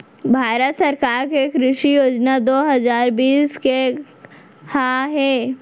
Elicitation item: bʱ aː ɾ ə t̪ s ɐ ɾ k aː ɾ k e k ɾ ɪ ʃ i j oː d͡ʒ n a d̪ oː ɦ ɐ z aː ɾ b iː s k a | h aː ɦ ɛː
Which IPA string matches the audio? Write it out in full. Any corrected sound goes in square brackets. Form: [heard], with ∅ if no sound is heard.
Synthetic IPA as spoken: bʱ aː ɾ ə t̪ s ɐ ɾ k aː ɾ k e k ɾ ɪ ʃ i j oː d͡ʒ n a d̪ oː ɦ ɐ z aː ɾ b iː s k [e] | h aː ɦ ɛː

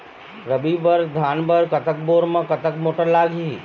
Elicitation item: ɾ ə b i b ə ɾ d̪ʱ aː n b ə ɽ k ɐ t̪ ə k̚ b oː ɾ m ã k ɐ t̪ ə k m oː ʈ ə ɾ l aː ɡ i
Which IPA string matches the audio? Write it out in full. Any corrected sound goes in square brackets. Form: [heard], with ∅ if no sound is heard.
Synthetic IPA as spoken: ɾ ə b i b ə ɾ d̪ʱ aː n b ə [ɾ] k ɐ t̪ ə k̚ b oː ɾ m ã k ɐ t̪ ə k m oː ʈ ə ɾ l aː ɡ i

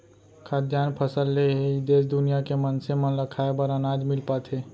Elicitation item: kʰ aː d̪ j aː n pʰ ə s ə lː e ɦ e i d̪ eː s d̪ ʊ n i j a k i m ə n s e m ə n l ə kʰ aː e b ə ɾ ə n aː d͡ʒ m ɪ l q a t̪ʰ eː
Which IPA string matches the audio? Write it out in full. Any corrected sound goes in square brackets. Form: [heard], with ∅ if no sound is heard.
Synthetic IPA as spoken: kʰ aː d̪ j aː n pʰ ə s ə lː e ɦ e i d̪ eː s d̪ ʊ n i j a k [e] m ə n s e m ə n l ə kʰ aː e b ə ɾ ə n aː d͡ʒ m ɪ l [p] a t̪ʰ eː

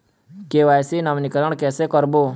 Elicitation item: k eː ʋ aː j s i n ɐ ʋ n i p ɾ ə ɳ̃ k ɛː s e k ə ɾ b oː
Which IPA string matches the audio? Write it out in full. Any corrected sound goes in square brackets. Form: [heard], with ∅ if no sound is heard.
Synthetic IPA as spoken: k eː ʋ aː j s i n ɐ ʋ n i [k] ɾ ə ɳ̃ k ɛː s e k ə ɾ b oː

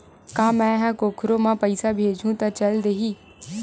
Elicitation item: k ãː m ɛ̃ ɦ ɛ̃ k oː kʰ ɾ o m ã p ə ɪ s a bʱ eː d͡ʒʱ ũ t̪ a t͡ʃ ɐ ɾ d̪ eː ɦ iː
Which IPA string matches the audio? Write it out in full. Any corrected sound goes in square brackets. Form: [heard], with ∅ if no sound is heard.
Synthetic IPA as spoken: k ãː m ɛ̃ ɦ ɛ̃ k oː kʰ ɾ o m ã p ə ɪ s a bʱ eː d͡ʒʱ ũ t̪ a t͡ʃ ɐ [l] d̪ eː ɦ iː

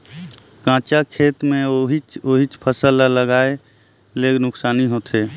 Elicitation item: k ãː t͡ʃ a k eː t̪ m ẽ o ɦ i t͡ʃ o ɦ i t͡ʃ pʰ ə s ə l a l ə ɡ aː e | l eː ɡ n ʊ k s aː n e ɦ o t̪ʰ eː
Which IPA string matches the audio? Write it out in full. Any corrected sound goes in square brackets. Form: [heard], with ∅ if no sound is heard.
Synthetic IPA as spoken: k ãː t͡ʃ a [kʰ] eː t̪ m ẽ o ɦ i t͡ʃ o ɦ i t͡ʃ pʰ ə s ə l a l ə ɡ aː e | l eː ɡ n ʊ k s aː n [i] ɦ o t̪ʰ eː

